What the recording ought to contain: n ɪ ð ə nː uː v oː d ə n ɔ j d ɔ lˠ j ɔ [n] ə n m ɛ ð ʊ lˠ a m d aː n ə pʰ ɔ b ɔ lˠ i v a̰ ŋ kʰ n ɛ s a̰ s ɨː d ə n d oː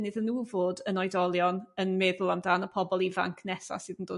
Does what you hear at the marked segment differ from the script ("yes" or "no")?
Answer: no